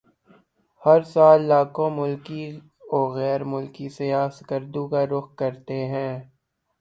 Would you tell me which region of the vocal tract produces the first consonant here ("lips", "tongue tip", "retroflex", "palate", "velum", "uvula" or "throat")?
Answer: throat